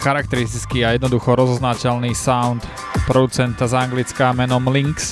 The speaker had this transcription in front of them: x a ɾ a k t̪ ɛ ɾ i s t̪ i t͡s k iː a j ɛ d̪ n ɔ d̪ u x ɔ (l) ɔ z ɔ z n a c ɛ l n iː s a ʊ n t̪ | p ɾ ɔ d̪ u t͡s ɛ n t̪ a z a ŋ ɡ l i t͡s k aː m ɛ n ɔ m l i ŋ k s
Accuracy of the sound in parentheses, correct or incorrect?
incorrect